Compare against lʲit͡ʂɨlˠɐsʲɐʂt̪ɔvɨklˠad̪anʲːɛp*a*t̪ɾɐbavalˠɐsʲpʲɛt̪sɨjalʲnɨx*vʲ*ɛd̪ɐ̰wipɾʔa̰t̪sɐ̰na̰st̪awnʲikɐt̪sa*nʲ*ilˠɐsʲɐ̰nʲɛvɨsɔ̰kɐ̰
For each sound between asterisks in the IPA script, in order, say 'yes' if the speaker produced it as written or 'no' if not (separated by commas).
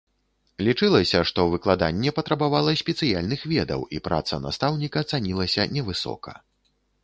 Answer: no, yes, yes